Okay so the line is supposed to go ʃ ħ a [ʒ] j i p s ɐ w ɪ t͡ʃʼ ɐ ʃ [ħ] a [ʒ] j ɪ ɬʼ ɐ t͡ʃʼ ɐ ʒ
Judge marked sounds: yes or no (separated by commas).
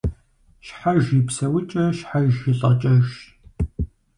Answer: yes, yes, yes